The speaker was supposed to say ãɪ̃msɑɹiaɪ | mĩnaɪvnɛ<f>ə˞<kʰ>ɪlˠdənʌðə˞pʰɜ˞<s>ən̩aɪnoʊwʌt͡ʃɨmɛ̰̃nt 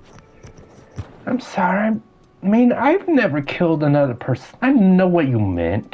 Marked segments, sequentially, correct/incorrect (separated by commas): incorrect, correct, correct